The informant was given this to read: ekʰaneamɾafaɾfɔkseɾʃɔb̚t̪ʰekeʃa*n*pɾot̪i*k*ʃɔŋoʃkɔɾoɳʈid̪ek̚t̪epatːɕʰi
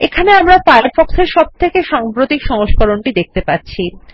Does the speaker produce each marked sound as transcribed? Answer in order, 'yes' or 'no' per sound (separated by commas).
no, yes